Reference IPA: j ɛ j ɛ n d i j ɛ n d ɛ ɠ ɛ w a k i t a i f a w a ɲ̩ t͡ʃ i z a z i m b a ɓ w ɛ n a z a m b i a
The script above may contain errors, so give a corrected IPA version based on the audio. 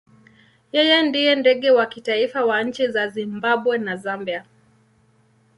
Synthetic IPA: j ɛ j ɛ n d i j ɛ n d ɛ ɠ ɛ w a k i t a i f a w a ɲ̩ t͡ʃ i z a z i m b a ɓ w ɛ n a z a m b i a